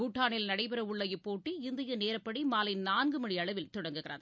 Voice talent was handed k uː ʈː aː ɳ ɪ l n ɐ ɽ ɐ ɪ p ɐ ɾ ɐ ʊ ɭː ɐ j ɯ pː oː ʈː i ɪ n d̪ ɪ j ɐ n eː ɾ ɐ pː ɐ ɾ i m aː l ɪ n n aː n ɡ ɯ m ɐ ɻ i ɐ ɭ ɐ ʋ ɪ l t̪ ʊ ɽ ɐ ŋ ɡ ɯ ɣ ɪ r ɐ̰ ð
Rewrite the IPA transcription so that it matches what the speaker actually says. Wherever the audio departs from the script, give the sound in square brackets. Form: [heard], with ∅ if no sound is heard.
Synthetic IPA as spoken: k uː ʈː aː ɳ ɪ l n ɐ ɽ ɐ ɪ p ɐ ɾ ɐ ʊ ɭː ɐ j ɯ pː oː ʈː i ɪ n d̪ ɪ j ɐ n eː ɾ ɐ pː ɐ [ɽ] i m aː l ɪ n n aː n ɡ ɯ m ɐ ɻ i ɐ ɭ ɐ ʋ ɪ l t̪ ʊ ɽ ɐ ŋ ɡ ɯ ɣ ɪ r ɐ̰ ð